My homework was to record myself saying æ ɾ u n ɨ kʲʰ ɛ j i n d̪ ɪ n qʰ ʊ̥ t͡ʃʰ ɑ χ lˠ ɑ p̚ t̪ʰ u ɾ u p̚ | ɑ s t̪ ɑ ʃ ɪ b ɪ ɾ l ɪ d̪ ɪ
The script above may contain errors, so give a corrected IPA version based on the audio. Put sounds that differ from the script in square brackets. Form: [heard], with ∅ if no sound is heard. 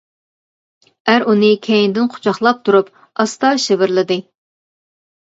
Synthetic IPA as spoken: æ ɾ u n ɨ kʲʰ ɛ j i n d̪ ɪ n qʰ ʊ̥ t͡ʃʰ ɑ χ lˠ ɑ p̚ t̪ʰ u ɾ u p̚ | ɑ s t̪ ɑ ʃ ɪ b ɪ ɾ l ɪ d̪ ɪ

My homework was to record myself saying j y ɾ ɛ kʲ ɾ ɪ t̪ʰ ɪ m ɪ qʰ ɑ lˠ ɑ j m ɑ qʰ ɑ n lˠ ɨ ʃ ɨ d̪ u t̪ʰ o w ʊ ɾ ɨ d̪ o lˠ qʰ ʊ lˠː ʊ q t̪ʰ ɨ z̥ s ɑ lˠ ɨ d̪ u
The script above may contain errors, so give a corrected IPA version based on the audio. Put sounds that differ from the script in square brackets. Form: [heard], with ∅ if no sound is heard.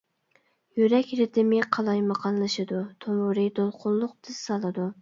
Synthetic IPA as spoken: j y ɾ ɛ kʲ ɾ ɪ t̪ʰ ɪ m ɪ qʰ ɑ lˠ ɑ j m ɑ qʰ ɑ n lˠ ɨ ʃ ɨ d̪ u t̪ʰ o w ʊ ɾ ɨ d̪ o lˠ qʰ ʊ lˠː ʊ q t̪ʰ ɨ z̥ s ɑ lˠ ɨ d̪ u

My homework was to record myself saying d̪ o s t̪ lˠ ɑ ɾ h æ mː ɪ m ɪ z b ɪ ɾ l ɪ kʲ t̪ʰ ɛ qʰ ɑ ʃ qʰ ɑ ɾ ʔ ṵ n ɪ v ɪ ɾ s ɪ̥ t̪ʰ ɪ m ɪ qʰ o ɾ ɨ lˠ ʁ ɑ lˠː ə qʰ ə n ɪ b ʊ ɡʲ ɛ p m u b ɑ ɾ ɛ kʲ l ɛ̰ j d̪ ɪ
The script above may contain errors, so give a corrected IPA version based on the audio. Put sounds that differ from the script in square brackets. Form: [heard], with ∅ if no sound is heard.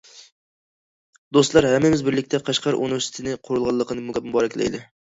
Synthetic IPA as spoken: d̪ o s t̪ lˠ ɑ ɾ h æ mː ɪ m ɪ z b ɪ ɾ l ɪ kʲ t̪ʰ ɛ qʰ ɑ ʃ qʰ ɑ ɾ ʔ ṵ n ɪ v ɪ ɾ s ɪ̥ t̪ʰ ɪ [n] ɪ qʰ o ɾ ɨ lˠ ʁ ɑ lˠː ə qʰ ə n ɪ [m] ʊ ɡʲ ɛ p m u b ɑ ɾ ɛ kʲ l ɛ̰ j d̪ ɪ

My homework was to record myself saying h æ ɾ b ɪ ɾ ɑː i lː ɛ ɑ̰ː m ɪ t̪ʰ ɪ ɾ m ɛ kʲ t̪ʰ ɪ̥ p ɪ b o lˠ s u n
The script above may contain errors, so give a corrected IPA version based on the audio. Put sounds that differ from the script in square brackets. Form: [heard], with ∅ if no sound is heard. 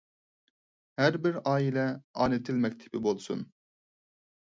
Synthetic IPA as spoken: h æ ɾ b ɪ ɾ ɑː i [l] ɛ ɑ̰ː [n] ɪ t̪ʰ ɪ [l] m ɛ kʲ t̪ʰ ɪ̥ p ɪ b o lˠ s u n

